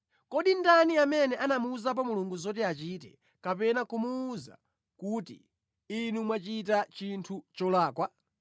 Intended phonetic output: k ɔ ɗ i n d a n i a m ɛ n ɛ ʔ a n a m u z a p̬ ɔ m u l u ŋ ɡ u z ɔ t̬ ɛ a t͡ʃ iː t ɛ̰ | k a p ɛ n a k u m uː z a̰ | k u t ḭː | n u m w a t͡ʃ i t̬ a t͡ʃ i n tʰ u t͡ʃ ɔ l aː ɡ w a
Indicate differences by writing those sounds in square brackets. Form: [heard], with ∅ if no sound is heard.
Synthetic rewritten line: k ɔ ɗ i n d a n i a m ɛ n ɛ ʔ a n a m u z a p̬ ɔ m u l u ŋ ɡ u z ɔ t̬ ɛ a t͡ʃ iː t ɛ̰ | k a p ɛ n a k u m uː z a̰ | k u t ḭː | n u m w a t͡ʃ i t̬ a t͡ʃ i n tʰ u t͡ʃ ɔ l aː [k] w a